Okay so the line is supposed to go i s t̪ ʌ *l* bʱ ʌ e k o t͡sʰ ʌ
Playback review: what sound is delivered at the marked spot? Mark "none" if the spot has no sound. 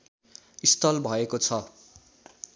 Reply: l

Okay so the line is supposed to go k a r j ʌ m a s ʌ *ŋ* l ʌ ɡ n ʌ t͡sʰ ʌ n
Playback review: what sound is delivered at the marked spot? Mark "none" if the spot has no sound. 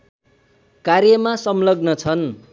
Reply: m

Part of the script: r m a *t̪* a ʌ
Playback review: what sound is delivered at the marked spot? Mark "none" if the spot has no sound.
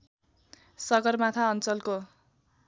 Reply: t̪ʰ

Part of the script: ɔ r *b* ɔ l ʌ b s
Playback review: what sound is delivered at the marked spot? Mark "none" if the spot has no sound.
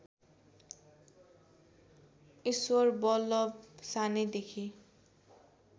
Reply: b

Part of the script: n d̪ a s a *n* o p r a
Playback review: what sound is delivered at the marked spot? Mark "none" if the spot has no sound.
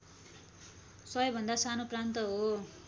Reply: n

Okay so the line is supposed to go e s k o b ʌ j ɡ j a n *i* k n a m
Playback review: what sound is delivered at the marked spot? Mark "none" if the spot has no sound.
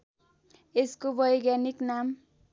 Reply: i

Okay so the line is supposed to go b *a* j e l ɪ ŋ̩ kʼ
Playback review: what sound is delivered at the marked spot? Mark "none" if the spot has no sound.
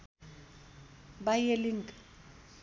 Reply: a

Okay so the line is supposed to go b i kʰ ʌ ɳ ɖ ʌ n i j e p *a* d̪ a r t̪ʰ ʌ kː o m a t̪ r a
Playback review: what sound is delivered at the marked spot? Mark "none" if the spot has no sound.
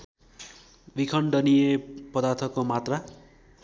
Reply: ʌ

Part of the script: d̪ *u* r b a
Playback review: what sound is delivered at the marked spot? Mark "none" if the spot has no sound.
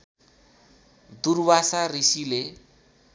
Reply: u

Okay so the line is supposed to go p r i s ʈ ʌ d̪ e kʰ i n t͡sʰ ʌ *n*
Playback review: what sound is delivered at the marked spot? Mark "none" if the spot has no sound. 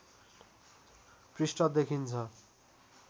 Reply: none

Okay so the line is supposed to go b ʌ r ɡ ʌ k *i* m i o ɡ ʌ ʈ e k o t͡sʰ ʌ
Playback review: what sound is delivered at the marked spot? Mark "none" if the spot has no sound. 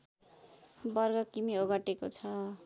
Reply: i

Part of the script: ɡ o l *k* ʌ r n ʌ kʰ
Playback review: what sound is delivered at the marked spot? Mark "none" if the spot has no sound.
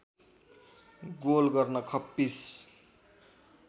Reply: ɡ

